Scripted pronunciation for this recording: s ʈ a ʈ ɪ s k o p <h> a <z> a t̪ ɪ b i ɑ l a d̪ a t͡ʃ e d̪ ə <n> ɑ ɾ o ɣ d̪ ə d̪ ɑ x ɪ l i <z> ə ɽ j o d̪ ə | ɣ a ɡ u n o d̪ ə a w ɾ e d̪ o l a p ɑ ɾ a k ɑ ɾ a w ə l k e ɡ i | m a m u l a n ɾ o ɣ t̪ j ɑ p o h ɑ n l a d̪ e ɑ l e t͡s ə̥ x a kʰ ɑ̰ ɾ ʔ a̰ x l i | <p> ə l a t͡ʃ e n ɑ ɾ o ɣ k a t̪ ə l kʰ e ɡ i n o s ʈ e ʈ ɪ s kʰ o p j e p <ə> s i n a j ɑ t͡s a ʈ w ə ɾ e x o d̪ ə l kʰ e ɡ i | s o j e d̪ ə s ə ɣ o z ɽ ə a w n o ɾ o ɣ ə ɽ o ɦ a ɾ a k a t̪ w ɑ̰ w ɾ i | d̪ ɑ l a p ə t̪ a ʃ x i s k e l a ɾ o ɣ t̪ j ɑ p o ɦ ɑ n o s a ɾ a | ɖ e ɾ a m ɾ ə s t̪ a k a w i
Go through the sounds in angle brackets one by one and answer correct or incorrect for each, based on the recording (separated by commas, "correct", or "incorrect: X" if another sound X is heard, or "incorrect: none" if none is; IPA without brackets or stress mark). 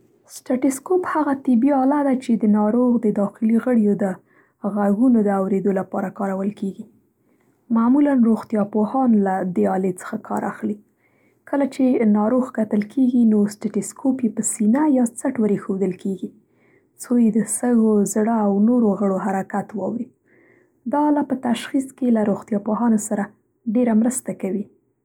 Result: correct, incorrect: ɣ, correct, incorrect: ɣ, incorrect: k, correct